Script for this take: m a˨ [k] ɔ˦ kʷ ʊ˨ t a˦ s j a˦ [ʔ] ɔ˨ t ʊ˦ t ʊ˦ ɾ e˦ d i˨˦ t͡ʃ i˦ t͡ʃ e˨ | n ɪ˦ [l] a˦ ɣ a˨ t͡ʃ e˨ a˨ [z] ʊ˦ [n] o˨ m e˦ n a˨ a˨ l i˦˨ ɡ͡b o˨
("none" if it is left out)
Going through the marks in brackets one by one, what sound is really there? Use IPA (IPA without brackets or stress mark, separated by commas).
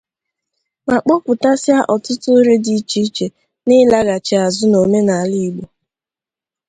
k͡p, ʔ, l, z, n